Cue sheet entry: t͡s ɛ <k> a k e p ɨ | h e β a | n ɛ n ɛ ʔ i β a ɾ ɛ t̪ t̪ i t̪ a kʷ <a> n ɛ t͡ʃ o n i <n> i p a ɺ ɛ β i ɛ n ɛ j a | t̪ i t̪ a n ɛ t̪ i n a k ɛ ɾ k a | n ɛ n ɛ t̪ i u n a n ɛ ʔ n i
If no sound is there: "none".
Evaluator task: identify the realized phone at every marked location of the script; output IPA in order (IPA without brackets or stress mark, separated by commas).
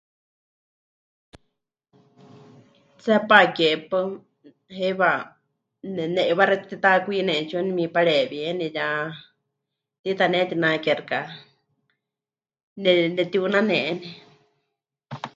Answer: p, i, m